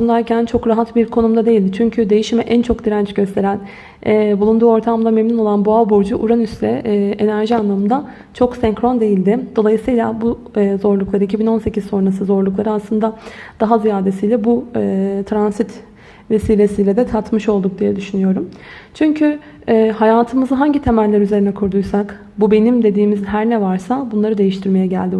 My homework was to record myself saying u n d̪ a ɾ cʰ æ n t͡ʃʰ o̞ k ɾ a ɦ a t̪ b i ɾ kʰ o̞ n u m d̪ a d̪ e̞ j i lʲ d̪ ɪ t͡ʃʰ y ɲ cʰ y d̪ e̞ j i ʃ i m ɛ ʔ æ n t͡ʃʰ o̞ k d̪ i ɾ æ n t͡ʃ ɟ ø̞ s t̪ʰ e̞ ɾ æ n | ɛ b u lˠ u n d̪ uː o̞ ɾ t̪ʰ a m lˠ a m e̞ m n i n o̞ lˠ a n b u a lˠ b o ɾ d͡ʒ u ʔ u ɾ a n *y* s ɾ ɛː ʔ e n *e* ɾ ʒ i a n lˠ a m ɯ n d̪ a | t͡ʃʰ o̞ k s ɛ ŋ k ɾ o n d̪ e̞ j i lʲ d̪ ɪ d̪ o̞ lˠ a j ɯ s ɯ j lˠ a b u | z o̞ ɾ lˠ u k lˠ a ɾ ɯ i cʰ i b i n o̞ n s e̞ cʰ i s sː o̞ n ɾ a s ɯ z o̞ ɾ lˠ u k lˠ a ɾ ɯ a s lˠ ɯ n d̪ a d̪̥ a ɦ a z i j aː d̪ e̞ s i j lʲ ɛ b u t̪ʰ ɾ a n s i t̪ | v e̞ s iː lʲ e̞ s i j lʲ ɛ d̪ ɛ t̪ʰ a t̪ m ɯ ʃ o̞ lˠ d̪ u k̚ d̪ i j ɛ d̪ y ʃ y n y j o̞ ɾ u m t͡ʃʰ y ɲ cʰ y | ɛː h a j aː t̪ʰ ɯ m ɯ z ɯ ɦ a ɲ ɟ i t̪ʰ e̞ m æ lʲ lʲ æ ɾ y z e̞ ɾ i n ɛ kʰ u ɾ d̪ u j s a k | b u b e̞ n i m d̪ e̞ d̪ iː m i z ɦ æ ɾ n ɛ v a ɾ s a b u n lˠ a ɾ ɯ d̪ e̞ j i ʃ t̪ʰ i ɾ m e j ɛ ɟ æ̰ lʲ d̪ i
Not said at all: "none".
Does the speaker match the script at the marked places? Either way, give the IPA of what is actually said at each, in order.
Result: y, æ

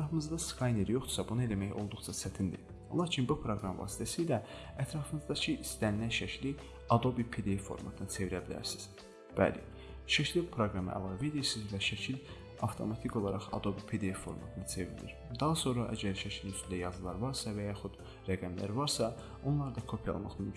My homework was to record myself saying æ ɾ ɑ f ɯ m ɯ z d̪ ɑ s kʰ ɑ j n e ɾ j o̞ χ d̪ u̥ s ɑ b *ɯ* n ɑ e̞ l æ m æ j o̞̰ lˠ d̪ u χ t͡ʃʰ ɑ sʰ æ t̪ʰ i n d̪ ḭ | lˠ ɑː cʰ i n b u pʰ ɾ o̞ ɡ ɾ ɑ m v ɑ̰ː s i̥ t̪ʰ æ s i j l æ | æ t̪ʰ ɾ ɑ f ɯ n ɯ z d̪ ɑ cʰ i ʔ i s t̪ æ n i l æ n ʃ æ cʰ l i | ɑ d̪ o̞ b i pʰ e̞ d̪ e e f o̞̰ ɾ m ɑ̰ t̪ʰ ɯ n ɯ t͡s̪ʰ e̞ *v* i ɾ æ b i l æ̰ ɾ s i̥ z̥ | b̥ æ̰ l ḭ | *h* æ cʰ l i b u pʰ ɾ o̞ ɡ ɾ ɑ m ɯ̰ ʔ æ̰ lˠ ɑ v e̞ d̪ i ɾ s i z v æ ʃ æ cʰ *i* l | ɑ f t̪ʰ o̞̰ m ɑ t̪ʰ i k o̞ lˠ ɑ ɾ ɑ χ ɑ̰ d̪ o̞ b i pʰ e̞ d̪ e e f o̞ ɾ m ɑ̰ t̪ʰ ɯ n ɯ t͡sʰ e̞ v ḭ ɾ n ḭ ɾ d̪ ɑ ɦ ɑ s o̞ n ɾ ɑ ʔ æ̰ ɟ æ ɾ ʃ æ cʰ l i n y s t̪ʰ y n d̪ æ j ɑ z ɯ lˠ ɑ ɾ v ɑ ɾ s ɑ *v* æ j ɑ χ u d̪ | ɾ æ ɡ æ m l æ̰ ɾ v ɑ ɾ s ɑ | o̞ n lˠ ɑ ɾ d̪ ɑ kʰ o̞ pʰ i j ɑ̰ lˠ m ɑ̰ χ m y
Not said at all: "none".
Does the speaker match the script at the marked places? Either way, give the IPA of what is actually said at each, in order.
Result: u, v, ʃ, i, v

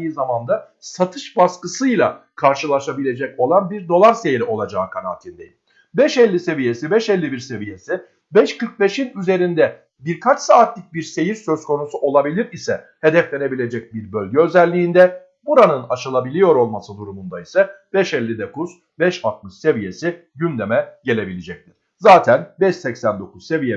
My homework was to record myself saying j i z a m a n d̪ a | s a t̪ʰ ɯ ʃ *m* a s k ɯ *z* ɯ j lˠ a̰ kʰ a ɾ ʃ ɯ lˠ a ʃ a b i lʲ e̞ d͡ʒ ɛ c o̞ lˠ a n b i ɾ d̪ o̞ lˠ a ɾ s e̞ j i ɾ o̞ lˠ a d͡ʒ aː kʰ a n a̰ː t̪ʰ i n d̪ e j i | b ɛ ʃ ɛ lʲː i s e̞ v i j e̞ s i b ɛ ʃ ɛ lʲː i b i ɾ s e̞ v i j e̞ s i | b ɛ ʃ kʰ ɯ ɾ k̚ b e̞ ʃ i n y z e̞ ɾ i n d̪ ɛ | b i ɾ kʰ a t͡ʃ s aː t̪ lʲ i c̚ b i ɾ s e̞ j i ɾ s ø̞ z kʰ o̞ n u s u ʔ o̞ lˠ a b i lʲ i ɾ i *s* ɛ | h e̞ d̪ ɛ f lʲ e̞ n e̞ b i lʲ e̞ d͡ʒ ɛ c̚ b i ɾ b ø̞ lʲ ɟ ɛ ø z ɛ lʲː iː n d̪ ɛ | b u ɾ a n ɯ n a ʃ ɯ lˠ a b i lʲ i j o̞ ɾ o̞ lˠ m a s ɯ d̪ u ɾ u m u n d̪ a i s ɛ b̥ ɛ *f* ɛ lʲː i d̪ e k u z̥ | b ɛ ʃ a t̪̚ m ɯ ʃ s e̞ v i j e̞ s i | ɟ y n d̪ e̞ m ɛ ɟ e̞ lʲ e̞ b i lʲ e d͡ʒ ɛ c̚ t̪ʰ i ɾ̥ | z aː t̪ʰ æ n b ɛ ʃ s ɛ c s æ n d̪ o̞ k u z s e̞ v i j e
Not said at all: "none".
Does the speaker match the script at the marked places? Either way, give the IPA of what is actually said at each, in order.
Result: b, s, s, ʃ

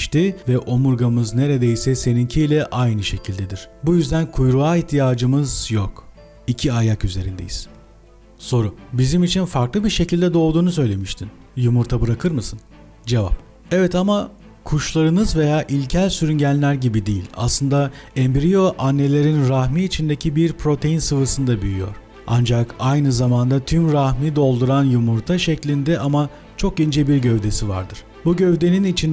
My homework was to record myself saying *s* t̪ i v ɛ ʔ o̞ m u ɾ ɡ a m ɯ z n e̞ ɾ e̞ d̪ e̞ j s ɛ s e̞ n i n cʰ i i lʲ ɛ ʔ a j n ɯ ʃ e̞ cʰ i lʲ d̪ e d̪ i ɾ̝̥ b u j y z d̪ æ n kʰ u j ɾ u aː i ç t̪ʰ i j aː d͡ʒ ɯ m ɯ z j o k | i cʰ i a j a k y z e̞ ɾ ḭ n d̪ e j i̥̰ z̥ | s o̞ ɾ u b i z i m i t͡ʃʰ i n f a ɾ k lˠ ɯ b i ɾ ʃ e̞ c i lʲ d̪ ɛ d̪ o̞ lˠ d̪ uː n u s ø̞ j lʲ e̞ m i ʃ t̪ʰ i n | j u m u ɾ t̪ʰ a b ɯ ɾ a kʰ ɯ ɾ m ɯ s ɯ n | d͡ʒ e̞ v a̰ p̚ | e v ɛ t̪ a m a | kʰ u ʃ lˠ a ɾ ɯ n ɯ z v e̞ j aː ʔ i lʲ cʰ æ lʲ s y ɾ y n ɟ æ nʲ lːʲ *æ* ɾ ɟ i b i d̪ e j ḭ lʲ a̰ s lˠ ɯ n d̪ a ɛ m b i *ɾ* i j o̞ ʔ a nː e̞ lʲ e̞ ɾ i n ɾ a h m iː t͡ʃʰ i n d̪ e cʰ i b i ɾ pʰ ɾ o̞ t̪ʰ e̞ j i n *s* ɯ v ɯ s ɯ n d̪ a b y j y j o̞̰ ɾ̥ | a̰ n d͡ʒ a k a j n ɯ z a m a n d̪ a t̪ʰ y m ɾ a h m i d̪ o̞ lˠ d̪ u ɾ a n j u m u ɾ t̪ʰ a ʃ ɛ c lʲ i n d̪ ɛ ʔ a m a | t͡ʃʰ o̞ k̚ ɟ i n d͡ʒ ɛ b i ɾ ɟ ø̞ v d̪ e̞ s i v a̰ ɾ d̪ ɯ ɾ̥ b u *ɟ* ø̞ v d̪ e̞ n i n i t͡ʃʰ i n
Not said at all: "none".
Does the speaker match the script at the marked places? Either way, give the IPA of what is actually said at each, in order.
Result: ʃ, æ, ɾ, s, ɟ

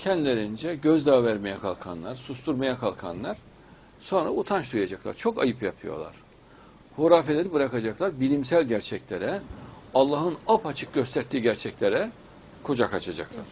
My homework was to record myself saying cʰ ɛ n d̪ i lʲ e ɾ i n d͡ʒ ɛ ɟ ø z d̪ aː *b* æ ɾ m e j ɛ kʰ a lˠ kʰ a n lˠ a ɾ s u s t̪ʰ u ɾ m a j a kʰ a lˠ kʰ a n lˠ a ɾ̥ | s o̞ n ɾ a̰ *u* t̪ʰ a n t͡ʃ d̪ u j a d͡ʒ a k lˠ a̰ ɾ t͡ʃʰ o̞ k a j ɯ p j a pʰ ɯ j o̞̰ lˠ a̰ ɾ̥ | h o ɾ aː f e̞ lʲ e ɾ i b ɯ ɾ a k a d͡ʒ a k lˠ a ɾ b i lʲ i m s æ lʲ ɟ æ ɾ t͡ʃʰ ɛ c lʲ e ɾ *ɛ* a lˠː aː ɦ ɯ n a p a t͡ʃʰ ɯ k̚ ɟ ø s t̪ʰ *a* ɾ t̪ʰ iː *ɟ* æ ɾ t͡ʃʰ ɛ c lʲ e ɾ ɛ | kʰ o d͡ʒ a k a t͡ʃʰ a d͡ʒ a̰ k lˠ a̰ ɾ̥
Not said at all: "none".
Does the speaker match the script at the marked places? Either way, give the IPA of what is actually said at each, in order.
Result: v, u, ɛ, æ, ɟ

